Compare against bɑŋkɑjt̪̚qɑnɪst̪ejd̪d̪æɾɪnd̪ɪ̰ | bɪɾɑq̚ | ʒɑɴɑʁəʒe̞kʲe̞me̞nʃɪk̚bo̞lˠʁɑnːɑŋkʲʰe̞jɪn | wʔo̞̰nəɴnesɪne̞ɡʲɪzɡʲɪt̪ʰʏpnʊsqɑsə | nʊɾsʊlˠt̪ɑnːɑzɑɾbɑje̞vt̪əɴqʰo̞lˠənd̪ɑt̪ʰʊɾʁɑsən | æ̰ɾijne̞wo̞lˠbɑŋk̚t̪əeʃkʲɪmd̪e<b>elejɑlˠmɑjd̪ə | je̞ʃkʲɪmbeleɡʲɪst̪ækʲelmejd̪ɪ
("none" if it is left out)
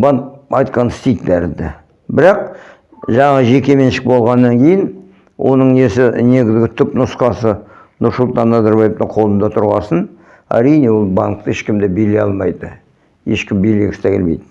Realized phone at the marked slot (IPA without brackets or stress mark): b